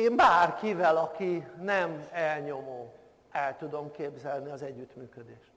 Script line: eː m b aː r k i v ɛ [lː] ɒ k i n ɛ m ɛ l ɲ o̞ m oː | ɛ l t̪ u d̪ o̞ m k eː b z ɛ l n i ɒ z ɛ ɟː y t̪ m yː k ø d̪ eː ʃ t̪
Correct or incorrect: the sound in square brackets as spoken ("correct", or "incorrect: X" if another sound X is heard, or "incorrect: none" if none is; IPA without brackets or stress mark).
incorrect: l